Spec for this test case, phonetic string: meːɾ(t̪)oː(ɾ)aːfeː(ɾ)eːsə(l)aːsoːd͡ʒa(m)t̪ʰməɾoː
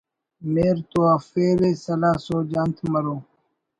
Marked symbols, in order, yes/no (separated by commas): yes, no, yes, yes, no